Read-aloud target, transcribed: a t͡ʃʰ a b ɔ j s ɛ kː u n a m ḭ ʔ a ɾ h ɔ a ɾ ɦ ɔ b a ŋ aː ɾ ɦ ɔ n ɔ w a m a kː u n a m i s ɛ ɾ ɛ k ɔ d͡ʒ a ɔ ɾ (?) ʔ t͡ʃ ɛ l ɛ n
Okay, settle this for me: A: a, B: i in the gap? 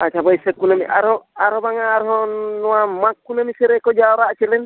A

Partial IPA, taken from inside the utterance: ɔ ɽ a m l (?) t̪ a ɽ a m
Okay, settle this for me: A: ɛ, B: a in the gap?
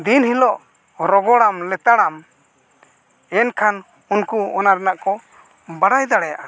A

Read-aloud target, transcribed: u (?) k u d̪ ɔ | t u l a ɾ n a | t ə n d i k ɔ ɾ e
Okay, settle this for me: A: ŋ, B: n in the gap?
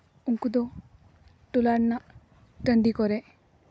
A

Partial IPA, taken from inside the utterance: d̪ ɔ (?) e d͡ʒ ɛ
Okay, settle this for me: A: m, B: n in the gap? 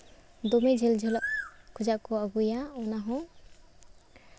A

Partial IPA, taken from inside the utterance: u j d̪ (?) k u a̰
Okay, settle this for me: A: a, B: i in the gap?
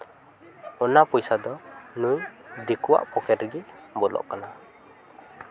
B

